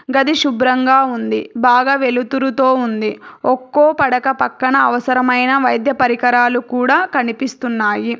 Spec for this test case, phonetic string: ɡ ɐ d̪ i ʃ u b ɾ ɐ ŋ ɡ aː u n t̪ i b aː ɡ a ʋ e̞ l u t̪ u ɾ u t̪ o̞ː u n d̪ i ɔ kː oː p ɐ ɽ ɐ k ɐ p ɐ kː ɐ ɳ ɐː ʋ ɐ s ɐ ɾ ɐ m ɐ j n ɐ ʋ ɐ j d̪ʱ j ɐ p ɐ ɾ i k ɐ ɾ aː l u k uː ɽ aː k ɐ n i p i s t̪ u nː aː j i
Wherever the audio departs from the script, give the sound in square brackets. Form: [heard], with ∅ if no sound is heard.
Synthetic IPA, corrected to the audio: ɡ ɐ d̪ i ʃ u b ɾ ɐ ŋ ɡ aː u n [d̪] i b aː ɡ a ʋ e̞ l u t̪ u ɾ u t̪ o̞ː u n d̪ i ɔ kː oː p ɐ ɽ ɐ k ɐ p ɐ kː ɐ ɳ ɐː ʋ ɐ s ɐ ɾ ɐ m ɐ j n ɐ ʋ ɐ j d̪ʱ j ɐ p ɐ ɾ i k ɐ ɾ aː l u k uː ɽ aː k ɐ n i p i s t̪ u nː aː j i